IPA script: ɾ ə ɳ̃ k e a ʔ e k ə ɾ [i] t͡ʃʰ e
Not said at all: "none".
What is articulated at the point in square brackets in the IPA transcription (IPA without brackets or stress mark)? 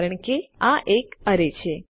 e